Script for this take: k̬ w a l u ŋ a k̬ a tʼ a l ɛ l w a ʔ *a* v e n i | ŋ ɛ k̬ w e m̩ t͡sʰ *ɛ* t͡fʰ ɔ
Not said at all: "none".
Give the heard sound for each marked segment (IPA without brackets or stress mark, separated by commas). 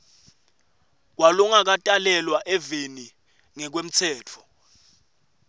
ɛ, ɛː